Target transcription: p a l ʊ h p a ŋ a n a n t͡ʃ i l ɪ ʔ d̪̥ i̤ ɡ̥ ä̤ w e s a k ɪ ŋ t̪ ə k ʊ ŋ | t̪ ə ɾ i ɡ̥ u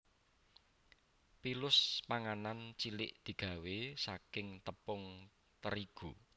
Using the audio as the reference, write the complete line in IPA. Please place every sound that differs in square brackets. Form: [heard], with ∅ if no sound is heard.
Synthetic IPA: p [i] l ʊ [s] p a ŋ a n a n t͡ʃ i l ɪ ʔ d̪̥ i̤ ɡ̥ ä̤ w e s a k ɪ ŋ t̪ ə [p] ʊ ŋ | t̪ ə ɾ i ɡ̥ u